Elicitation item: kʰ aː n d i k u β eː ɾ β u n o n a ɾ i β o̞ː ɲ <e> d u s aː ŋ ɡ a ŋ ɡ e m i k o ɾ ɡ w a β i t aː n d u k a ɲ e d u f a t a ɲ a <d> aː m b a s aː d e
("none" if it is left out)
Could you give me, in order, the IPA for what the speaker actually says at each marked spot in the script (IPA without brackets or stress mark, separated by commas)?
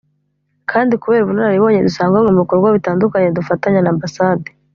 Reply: e, n